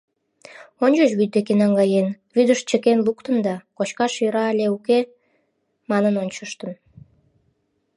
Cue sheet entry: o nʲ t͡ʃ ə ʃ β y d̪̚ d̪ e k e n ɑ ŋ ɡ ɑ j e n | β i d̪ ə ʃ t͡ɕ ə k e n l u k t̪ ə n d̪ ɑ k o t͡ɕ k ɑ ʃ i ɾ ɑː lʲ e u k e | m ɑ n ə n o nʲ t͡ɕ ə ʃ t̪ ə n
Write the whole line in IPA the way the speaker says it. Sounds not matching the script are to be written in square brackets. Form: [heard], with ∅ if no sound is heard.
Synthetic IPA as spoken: o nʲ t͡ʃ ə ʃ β y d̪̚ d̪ e k e n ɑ ŋ ɡ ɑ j e n | β [y] d̪ ə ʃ t͡ɕ ə k e n l u k t̪ ə n d̪ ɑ k o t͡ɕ k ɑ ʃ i ɾ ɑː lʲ e u k e | m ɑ n ə n o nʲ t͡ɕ ə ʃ t̪ ə n